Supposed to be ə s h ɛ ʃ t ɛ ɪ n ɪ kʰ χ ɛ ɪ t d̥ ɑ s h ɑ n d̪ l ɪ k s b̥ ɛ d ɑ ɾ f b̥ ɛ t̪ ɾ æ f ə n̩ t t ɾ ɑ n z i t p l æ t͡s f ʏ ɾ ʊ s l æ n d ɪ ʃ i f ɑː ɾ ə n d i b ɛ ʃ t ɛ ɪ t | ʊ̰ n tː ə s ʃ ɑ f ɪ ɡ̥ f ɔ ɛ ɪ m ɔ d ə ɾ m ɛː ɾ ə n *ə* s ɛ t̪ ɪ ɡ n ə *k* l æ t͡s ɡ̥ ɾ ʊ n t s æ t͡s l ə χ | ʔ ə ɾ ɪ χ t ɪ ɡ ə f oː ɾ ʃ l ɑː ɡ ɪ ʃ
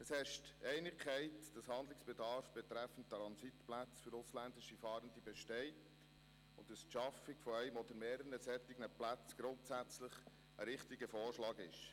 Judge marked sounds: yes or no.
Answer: yes, no

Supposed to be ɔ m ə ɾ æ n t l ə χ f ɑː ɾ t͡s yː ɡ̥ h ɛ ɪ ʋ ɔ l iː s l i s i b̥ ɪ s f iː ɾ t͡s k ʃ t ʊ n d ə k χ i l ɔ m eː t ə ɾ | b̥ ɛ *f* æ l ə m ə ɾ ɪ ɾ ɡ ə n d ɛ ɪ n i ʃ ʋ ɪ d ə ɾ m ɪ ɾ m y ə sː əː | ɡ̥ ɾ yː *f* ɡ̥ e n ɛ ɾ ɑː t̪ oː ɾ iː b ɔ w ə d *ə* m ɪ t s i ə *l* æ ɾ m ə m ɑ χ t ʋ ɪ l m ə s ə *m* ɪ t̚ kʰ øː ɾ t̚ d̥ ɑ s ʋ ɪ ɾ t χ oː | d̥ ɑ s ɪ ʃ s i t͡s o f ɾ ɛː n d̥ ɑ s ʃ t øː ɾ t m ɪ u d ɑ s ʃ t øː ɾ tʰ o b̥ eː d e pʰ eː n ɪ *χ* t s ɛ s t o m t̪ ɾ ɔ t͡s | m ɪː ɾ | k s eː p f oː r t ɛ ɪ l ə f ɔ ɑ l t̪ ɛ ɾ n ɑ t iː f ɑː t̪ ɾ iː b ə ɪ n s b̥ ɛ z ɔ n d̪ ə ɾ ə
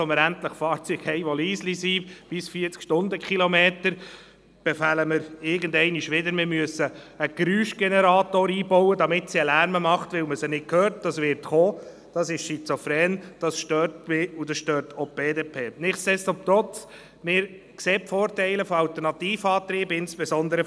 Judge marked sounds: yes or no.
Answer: yes, no, no, yes, no, yes

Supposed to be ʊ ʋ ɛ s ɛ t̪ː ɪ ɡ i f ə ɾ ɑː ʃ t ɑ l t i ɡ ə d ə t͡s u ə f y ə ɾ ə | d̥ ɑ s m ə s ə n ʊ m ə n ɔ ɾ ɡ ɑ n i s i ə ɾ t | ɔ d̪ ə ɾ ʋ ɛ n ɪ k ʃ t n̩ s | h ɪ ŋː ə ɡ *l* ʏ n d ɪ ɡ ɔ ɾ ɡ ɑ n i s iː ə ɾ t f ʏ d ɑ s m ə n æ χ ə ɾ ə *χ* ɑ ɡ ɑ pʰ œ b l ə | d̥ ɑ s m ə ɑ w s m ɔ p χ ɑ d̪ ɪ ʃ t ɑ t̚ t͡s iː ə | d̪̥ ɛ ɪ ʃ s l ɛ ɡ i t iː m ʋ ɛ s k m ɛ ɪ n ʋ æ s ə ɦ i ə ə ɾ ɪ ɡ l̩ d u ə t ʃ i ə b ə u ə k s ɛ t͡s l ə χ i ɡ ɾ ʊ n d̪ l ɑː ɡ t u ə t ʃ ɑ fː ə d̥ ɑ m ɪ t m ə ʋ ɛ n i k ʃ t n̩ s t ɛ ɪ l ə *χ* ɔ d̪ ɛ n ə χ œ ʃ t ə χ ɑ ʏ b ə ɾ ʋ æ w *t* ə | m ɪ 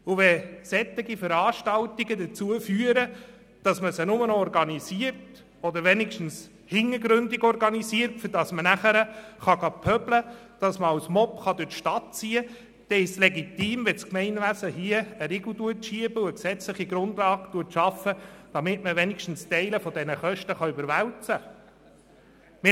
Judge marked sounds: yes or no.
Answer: no, yes, no, no

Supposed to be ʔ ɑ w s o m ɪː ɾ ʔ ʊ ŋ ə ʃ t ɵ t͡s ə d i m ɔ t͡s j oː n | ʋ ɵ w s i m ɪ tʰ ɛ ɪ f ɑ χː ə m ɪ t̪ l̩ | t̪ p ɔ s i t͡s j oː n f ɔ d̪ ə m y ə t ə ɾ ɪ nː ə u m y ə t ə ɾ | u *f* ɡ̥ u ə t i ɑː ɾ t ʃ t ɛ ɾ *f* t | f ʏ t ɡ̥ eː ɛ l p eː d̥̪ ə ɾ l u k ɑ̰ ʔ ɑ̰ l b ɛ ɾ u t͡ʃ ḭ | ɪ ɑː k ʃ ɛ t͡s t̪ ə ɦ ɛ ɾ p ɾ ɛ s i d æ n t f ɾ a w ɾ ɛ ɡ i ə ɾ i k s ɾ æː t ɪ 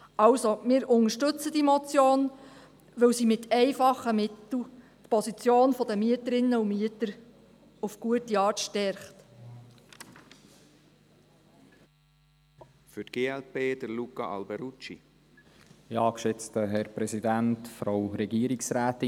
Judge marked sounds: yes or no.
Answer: yes, no

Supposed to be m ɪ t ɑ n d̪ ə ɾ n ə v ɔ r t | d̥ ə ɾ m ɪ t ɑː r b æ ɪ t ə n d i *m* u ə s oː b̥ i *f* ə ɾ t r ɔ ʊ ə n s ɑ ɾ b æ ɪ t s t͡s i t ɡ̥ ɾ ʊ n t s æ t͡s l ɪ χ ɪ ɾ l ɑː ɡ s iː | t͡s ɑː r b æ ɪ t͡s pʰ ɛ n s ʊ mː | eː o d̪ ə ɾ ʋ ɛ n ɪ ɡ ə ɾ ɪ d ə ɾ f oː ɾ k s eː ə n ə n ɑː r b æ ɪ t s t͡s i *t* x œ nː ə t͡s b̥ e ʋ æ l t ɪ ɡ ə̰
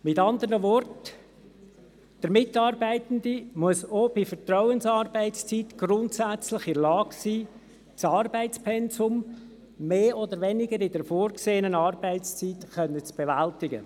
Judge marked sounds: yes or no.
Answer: yes, yes, yes

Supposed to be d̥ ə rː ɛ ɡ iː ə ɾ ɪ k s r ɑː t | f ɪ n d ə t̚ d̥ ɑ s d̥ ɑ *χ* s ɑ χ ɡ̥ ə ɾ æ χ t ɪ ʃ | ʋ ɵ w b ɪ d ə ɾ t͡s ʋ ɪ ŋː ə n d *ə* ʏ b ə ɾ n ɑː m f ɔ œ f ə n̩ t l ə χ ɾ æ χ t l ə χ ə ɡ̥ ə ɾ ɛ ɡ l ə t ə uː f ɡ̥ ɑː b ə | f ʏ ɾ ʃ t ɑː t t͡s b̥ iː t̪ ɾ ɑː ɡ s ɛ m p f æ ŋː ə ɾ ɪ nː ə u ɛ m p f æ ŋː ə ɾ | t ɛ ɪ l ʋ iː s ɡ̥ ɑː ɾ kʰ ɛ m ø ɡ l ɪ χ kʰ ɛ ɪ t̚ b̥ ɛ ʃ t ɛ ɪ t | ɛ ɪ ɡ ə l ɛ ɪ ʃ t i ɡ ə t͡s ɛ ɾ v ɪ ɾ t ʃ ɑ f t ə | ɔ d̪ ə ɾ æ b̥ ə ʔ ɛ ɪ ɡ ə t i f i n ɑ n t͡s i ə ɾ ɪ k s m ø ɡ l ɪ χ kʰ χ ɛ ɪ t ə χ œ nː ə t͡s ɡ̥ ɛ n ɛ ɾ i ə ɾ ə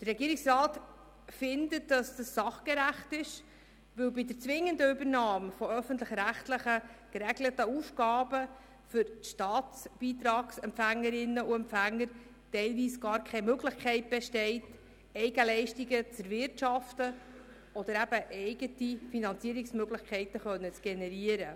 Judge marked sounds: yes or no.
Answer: no, yes

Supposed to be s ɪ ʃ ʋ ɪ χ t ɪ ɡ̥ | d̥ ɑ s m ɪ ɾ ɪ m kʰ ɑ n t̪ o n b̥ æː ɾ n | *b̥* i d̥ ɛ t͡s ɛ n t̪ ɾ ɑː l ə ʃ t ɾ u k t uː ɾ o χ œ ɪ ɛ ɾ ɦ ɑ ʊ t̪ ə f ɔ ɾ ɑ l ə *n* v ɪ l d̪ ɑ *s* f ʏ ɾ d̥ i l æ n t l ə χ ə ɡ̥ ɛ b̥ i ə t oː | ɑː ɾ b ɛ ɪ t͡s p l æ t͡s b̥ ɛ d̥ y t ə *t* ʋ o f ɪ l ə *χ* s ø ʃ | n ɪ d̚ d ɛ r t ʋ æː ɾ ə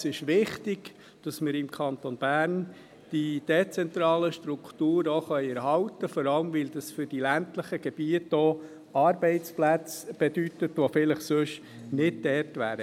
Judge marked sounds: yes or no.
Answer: no, no, yes, yes, yes

